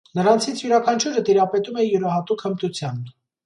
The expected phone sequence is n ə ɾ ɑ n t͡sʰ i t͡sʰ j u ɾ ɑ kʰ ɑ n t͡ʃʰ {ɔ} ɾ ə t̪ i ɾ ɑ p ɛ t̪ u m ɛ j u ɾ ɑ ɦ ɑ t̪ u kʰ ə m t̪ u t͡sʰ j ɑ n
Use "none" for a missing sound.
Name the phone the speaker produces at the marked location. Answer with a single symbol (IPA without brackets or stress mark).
u